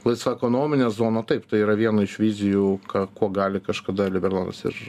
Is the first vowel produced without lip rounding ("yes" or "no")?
yes